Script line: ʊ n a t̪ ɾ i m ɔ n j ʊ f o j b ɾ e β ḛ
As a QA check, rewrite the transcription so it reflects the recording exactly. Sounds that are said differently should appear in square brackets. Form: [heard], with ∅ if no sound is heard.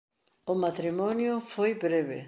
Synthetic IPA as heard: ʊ [m] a t̪ ɾ i m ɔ n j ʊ f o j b ɾ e β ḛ

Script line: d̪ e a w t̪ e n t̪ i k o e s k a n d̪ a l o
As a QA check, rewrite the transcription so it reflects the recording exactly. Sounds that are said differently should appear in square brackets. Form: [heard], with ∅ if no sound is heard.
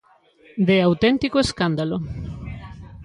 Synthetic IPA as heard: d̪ e a w t̪ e n t̪ i k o e s k a n d̪ a l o

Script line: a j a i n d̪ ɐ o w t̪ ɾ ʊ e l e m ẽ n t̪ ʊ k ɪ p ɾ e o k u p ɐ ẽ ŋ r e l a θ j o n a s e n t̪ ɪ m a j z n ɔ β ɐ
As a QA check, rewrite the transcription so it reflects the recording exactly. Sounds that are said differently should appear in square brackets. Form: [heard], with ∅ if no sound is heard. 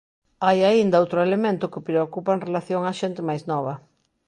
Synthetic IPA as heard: a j a i n d̪ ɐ o w t̪ ɾ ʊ e l e m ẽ n t̪ ʊ k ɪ p ɾ e o k u p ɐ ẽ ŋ r e l a θ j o [ŋ] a [ʃ] e n t̪ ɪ m a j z n ɔ β ɐ

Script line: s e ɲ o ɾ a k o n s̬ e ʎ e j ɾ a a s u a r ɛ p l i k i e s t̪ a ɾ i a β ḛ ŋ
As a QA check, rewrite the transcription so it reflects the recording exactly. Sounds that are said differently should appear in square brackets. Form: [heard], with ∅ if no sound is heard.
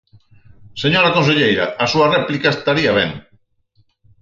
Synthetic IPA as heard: s e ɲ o ɾ a k o n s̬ e ʎ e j ɾ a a s u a r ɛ p l i k [a] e s t̪ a ɾ i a β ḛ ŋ

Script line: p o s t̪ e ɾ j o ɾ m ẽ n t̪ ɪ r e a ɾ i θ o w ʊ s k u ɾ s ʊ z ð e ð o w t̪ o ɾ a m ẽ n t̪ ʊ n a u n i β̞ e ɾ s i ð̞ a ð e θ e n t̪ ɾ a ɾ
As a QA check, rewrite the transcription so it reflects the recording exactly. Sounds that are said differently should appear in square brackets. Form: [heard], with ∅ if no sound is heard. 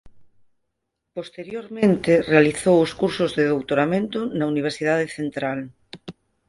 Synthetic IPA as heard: p o s t̪ e ɾ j o ɾ m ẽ n t̪ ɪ r e a [l] i θ o w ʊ s k u ɾ s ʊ z ð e ð o w t̪ o ɾ a m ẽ n t̪ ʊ n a u n i β̞ e ɾ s i ð̞ a ð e θ e n t̪ ɾ a [l]

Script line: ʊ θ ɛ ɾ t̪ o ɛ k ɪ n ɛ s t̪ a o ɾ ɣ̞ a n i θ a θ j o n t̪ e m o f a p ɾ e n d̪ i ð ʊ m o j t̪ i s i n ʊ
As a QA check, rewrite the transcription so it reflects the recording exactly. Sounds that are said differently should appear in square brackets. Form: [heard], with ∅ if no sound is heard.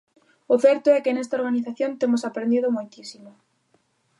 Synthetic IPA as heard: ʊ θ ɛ ɾ t̪ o ɛ k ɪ n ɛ s t̪ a o ɾ ɣ̞ a n i θ a θ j o n t̪ e m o [s] a p ɾ e n d̪ i ð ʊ m o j t̪ i s i [m] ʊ

